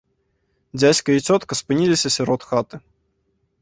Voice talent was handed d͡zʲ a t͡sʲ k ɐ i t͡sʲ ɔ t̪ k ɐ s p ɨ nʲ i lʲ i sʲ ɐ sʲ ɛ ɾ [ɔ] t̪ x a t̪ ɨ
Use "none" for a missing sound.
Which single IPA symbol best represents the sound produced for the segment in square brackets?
ɔ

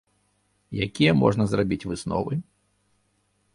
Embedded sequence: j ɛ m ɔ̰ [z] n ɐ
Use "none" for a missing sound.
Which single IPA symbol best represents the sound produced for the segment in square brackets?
ʐ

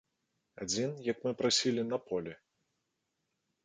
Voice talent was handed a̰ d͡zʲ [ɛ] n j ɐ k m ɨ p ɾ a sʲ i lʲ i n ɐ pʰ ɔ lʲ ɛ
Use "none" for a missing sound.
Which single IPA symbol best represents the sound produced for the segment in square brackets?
i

